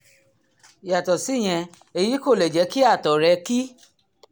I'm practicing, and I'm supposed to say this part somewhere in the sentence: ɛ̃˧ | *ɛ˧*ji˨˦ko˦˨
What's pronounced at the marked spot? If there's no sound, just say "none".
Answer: e˧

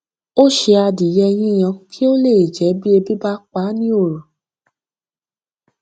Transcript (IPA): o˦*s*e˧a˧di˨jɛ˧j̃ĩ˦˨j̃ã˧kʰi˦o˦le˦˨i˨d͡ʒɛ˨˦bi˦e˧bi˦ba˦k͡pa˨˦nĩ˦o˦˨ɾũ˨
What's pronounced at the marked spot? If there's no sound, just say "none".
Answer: ʃ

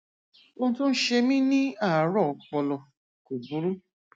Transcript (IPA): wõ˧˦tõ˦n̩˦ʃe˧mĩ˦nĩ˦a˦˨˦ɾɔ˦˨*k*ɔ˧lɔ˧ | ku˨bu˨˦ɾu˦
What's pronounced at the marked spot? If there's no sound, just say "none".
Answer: k͡p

